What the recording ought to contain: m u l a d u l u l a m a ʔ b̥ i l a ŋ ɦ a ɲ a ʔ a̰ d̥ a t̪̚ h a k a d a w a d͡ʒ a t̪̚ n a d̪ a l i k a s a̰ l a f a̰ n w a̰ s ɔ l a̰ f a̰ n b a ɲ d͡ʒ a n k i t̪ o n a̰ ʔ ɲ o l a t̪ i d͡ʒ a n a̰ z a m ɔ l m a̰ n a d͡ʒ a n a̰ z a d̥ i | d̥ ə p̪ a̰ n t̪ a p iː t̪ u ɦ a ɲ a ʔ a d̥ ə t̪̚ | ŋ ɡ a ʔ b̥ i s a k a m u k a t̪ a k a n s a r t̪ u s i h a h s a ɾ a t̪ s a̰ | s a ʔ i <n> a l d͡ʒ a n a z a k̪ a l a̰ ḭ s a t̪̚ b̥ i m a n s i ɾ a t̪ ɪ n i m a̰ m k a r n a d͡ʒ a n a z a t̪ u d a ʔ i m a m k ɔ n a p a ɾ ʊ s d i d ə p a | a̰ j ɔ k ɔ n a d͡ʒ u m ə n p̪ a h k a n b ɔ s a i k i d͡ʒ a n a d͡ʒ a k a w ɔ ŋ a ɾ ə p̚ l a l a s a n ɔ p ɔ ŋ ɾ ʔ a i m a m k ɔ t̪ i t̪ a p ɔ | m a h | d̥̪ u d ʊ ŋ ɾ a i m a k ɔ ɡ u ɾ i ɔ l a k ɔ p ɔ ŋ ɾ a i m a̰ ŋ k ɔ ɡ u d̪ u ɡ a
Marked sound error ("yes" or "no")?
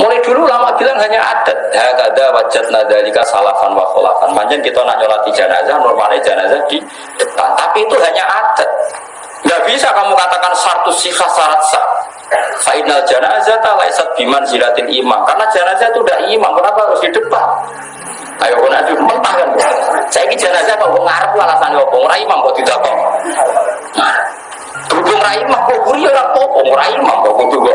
no